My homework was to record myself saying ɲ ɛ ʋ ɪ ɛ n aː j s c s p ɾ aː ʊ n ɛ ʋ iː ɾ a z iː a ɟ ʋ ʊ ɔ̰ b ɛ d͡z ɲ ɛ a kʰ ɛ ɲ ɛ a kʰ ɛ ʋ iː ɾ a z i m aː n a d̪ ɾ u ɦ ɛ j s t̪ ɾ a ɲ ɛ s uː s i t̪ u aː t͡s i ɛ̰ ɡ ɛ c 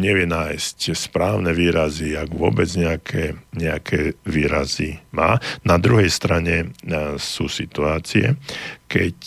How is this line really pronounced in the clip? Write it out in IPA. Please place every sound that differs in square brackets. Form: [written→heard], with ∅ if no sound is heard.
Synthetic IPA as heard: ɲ ɛ ʋ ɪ ɛ n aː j s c s p ɾ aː ʊ n ɛ ʋ iː ɾ a z [iː→i] a [ɟ→ɡ] ʋ ʊ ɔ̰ b ɛ d͡z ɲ ɛ a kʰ ɛ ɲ ɛ a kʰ ɛ ʋ iː ɾ a z i m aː n a d̪ ɾ u ɦ ɛ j s t̪ ɾ a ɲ ɛ s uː s i t̪ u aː t͡s i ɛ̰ [ɡ→k] ɛ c